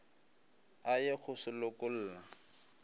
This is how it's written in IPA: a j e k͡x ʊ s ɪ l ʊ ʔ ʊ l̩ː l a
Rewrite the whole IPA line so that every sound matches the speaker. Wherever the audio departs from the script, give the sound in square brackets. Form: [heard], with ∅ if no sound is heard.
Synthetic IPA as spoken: a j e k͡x ʊ s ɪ l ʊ [k] ʊ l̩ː l a